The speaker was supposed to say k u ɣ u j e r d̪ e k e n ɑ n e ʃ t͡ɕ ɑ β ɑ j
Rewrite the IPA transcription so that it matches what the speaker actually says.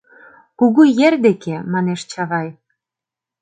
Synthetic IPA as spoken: k u ɣ u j e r d̪ e k e m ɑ n e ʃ t͡ɕ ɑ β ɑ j